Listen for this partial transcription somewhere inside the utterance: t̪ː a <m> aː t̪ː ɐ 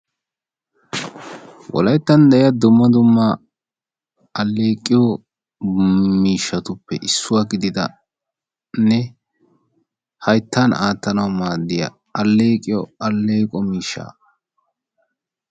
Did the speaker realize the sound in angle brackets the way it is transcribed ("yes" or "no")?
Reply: no